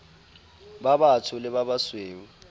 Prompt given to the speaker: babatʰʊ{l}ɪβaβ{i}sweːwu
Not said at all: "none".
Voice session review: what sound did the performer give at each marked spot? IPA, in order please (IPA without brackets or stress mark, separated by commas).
l, a